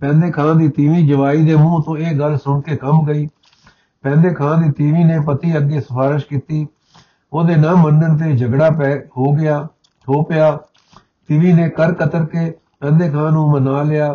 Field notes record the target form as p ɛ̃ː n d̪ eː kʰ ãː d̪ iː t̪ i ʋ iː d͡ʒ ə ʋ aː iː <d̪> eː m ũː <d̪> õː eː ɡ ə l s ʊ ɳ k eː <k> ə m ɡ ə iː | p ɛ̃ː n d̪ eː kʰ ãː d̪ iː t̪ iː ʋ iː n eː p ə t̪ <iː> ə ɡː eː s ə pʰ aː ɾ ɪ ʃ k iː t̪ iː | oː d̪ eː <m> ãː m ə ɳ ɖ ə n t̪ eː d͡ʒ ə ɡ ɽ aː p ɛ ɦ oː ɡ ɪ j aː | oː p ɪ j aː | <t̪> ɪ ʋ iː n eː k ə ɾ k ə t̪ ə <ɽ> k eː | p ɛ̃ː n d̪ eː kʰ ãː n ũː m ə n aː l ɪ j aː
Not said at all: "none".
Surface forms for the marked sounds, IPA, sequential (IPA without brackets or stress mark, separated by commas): d̪, t̪, k, iː, n, t̪, ɾ